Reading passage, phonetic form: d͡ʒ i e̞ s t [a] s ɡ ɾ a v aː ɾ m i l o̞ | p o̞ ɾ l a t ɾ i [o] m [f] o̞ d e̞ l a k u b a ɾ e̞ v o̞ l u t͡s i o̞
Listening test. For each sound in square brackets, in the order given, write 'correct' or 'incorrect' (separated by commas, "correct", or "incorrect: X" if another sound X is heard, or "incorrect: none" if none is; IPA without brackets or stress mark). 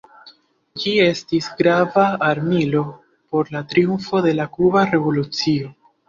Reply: incorrect: i, incorrect: u, correct